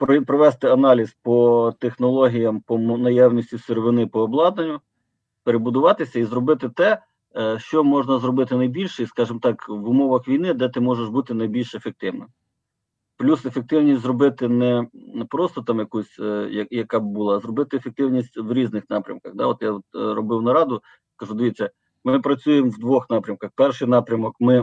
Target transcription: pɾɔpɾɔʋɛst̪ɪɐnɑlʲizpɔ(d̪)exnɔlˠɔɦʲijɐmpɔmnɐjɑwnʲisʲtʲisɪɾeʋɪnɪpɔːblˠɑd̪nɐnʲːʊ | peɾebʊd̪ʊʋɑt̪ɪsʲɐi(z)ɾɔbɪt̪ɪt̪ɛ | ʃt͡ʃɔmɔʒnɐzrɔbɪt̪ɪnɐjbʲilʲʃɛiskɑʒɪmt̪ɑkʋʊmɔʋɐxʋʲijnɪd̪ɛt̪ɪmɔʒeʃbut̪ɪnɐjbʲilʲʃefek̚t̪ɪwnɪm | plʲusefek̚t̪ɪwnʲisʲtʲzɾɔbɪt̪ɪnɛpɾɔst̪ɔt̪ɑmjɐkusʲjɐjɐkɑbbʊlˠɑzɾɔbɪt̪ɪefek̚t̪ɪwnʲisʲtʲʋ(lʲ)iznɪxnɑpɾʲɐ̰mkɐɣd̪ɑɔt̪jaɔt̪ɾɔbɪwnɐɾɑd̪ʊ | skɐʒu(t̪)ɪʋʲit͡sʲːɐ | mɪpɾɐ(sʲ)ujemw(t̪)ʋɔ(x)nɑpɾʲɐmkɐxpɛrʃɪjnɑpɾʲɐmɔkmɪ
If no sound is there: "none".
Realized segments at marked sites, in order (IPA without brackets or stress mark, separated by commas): t̪, z, ɾʲ, d̪, t͡sʲ, d̪, x